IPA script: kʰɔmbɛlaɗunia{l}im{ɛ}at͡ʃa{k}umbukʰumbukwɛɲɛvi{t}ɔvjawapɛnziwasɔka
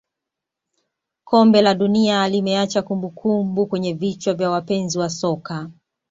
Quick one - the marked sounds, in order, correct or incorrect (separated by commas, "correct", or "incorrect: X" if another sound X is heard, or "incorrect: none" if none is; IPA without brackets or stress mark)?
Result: correct, correct, correct, incorrect: t͡ʃ